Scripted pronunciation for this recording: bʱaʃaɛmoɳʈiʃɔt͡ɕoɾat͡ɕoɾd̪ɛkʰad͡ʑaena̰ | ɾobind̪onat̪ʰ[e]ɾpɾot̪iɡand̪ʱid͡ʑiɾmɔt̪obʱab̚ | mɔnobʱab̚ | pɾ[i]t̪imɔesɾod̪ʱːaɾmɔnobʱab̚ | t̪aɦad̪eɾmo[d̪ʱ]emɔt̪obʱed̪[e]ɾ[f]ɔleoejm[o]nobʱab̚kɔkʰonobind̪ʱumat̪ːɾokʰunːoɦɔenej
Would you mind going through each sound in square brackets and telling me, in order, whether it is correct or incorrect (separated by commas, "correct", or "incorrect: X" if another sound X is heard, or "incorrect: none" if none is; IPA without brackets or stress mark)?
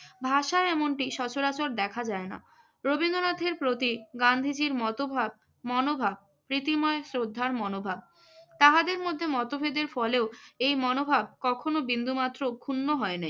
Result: correct, correct, incorrect: d̪ʱː, correct, correct, incorrect: ɔ